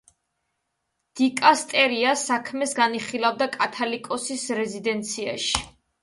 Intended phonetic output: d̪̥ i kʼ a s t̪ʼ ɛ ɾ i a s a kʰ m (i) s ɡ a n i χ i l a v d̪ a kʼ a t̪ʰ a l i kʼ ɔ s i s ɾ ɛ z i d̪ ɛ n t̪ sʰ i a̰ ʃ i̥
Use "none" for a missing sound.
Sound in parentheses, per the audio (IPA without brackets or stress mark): ɛ